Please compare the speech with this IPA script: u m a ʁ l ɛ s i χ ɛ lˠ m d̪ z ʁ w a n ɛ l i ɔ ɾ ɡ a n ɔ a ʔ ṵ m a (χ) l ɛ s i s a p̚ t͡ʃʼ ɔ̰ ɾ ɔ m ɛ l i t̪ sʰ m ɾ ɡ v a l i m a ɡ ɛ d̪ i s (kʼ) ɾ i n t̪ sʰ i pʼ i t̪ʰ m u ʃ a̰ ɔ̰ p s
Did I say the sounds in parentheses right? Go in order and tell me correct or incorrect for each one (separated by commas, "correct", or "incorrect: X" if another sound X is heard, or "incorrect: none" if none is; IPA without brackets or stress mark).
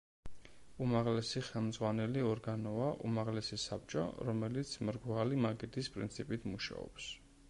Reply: incorrect: ʁ, incorrect: pʼ